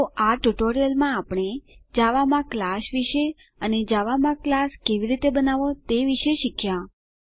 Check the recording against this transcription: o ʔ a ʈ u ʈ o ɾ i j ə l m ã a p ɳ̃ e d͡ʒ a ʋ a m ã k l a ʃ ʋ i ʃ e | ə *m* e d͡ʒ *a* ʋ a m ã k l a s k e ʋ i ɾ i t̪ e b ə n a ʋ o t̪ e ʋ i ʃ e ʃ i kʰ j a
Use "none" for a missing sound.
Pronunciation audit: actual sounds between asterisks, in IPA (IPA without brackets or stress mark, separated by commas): n, a